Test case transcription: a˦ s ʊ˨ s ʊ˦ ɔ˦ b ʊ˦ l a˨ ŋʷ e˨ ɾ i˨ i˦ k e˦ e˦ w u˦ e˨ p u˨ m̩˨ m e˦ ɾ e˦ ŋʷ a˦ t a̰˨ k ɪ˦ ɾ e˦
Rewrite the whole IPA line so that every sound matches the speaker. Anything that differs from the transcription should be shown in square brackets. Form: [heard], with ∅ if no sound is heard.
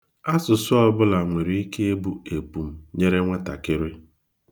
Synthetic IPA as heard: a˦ s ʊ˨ s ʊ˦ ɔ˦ b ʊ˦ l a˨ ŋʷ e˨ ɾ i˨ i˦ k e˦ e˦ [b] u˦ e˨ p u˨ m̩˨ [ɲ] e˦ ɾ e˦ ŋʷ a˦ t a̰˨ k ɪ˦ ɾ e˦